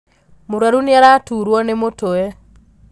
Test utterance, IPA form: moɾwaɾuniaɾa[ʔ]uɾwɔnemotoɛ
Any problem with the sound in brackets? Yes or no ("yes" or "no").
yes